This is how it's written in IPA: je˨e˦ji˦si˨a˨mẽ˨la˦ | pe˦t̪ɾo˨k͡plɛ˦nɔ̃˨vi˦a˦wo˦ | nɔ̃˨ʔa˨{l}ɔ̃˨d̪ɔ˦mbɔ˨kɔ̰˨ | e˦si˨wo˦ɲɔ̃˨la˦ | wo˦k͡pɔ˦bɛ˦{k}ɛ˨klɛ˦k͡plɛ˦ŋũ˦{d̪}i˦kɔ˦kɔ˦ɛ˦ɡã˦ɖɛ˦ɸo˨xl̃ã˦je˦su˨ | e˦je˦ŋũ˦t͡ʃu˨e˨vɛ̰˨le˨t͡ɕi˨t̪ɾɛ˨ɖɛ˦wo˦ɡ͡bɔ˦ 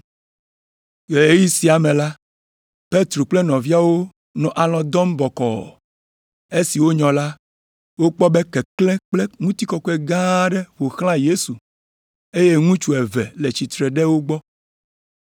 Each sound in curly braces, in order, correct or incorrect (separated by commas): correct, correct, incorrect